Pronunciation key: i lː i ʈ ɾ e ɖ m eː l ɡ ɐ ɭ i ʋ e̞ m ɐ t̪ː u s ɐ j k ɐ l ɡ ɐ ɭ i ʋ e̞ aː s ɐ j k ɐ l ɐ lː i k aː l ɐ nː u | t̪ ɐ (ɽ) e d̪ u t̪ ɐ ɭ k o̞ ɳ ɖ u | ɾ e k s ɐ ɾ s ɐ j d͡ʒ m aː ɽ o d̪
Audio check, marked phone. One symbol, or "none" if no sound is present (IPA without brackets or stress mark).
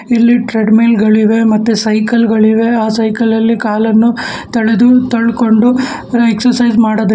ɭ